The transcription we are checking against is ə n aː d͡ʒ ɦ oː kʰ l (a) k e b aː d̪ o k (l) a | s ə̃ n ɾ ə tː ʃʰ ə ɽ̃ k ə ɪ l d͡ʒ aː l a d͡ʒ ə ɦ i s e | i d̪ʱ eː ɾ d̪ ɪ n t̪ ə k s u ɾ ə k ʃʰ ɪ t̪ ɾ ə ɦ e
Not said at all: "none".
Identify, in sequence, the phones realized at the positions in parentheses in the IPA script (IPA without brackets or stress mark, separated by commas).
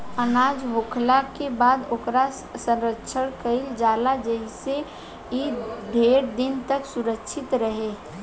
a, ɾ